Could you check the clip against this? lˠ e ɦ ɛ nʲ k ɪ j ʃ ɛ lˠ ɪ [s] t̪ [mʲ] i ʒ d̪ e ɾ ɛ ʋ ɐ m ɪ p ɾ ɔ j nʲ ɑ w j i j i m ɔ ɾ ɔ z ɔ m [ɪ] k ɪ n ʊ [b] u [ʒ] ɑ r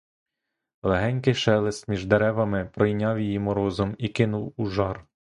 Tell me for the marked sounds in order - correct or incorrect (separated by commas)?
correct, correct, incorrect, incorrect, correct